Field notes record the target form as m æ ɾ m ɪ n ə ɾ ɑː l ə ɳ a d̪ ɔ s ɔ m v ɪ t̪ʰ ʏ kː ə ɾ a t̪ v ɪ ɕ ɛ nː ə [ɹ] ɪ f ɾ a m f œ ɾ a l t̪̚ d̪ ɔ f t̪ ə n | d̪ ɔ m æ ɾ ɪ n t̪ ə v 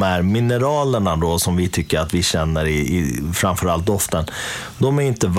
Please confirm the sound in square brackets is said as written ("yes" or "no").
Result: no